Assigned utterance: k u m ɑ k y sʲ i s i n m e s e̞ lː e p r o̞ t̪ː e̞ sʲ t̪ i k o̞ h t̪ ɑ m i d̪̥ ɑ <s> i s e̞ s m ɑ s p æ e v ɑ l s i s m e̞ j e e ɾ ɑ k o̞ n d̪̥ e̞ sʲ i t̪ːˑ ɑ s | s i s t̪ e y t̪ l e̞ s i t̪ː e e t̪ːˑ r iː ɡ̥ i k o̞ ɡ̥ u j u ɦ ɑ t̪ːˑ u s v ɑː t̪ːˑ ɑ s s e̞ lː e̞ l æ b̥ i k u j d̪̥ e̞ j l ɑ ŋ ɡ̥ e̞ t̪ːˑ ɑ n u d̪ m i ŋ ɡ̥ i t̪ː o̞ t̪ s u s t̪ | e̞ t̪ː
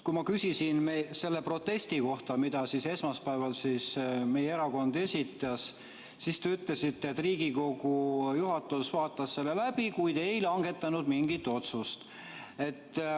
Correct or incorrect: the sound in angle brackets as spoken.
correct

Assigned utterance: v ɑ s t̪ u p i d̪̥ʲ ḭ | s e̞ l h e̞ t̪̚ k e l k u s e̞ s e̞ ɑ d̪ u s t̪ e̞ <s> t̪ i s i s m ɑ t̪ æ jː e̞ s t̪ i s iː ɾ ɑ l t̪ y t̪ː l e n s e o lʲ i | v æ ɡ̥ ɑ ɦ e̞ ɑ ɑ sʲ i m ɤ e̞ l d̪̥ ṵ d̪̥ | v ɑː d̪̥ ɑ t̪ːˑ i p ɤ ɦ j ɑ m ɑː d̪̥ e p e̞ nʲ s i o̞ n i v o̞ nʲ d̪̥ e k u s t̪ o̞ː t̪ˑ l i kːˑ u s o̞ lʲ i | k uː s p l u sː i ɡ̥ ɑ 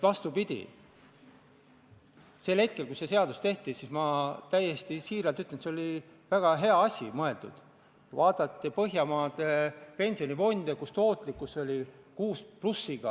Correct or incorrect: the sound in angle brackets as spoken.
incorrect: h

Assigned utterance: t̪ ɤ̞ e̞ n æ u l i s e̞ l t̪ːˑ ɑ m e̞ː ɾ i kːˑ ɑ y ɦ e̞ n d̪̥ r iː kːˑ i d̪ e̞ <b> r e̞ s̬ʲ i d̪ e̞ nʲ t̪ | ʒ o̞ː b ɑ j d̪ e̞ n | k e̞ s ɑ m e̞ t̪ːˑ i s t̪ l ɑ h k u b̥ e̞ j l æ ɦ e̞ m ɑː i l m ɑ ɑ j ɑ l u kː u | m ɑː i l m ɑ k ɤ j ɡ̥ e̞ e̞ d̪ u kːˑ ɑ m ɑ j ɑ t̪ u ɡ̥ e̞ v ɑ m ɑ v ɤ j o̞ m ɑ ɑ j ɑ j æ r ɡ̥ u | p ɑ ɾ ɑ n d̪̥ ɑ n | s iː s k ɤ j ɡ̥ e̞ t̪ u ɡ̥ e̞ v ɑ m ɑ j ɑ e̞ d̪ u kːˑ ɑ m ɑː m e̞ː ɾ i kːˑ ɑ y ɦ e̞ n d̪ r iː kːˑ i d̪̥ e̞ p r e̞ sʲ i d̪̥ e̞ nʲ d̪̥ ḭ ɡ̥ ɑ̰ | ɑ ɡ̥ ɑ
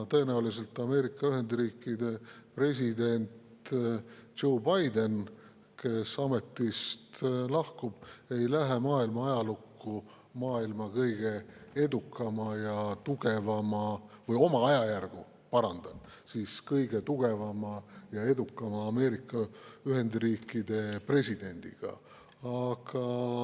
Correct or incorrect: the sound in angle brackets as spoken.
incorrect: p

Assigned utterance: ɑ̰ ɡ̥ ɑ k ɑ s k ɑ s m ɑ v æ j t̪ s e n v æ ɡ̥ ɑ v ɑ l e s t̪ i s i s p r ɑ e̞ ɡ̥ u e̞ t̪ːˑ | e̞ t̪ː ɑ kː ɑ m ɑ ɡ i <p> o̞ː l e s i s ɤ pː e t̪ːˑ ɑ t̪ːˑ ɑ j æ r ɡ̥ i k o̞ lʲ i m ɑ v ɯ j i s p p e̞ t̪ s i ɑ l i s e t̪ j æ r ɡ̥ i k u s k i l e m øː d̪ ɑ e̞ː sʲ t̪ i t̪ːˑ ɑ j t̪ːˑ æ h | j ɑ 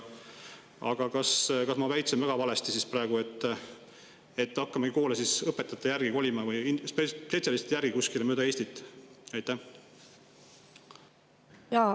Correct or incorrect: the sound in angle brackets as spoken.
incorrect: k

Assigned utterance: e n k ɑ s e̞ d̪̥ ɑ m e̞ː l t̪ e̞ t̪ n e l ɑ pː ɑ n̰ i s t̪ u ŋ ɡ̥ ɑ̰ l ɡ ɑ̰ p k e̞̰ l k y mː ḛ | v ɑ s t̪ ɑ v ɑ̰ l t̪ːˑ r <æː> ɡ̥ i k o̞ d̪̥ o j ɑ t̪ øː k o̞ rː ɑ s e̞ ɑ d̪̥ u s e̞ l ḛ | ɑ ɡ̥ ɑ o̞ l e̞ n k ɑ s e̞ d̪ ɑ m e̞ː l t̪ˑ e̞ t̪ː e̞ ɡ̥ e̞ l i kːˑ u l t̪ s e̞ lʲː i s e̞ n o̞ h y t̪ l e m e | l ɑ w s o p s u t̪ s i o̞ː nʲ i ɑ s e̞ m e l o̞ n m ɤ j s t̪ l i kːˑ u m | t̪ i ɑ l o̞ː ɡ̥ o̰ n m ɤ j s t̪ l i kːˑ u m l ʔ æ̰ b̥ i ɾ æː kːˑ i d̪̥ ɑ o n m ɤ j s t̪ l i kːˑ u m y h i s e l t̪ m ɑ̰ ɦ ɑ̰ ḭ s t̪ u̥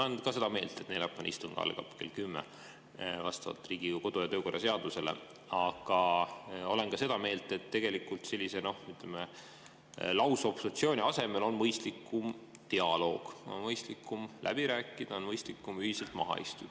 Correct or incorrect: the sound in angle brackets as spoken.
incorrect: iː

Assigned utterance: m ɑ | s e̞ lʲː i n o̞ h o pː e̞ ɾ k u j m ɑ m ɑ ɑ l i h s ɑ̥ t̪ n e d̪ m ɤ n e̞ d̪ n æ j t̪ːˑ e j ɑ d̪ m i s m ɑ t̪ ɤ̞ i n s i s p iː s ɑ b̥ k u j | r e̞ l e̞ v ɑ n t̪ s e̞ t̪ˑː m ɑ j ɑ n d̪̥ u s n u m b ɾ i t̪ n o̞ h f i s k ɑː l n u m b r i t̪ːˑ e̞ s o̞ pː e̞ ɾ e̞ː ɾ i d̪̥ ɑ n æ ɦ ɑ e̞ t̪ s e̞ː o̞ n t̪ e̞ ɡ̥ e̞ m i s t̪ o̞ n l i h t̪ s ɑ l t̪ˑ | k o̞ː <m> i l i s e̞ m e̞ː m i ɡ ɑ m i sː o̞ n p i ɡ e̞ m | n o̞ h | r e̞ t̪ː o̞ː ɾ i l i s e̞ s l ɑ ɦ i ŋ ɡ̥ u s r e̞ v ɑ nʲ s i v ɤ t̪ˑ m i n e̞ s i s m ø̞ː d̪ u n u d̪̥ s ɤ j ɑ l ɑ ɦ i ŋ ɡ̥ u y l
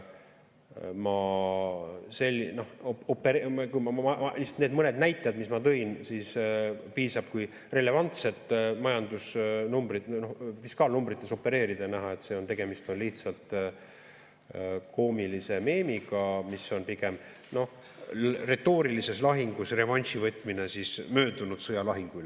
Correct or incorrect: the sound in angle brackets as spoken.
correct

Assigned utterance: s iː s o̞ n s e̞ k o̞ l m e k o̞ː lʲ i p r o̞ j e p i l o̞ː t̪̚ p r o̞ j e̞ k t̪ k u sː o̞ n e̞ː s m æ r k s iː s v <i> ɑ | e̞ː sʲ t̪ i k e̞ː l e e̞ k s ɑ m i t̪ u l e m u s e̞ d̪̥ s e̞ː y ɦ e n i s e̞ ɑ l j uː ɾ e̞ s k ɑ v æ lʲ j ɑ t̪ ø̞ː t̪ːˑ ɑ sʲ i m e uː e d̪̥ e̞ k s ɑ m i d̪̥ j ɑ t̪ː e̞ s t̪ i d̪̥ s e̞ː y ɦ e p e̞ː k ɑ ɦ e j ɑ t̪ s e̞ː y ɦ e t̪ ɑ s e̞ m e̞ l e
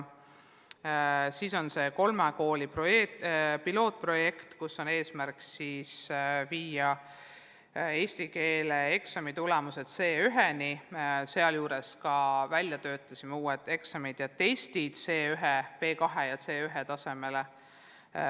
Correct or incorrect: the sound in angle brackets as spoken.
incorrect: iː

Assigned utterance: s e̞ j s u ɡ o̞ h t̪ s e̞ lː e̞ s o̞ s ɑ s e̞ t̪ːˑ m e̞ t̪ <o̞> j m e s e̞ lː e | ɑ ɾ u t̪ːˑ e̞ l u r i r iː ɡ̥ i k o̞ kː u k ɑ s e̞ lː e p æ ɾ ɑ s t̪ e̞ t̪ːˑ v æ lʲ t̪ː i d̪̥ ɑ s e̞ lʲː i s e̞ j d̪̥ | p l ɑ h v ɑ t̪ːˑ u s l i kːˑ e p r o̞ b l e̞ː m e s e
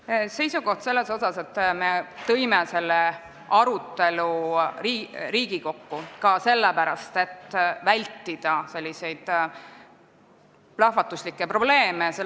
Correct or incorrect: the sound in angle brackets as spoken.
incorrect: ɤ̞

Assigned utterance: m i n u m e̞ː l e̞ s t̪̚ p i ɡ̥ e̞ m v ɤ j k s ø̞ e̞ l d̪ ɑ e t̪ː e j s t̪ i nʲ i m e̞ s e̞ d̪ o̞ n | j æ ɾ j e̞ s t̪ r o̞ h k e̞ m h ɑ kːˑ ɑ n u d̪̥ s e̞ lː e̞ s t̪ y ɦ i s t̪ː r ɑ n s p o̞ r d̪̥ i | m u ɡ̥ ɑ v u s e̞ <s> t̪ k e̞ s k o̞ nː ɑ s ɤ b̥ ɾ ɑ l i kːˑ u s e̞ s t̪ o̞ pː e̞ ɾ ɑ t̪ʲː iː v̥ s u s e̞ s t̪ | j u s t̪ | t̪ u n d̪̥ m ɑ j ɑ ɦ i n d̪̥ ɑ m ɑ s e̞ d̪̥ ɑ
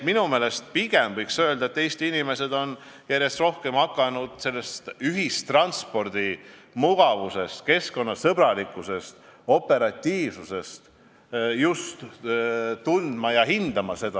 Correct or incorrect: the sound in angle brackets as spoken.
correct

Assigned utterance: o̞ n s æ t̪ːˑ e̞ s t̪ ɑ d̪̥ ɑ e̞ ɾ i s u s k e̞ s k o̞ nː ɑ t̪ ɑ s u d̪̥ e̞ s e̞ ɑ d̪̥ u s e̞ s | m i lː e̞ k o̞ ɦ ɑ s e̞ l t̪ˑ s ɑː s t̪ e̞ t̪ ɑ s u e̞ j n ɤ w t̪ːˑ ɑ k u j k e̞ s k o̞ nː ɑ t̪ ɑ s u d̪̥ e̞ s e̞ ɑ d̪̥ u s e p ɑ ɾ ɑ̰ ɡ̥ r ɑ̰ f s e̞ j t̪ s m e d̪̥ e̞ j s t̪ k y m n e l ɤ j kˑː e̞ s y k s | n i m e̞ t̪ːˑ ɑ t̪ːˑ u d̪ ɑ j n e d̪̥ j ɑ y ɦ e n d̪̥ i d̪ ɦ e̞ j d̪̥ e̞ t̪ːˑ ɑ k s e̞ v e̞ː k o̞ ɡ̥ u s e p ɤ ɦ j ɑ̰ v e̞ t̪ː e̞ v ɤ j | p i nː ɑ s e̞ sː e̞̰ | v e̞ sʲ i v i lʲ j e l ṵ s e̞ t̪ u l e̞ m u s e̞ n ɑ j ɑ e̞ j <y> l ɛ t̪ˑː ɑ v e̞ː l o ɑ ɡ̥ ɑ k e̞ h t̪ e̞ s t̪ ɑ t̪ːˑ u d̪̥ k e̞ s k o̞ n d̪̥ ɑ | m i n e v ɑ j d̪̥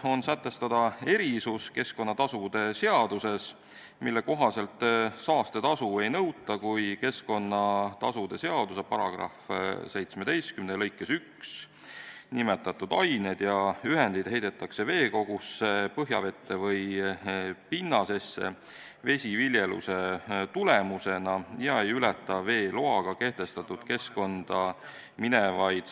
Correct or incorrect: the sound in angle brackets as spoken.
correct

